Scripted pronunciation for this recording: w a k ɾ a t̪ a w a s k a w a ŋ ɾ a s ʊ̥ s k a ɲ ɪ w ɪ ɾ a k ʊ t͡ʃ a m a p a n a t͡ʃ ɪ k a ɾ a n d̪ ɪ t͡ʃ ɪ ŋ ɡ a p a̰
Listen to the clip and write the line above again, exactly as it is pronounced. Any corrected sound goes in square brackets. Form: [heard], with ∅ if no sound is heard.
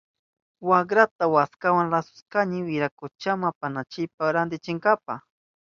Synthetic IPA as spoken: w a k ɾ a t̪ a w a s k a w a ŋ ɾ a s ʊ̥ s k a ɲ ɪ w ɪ ɾ a k ʊ t͡ʃ a m a p a n a t͡ʃ ɪ [p] a ɾ a n d̪ ɪ t͡ʃ ɪ ŋ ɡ a p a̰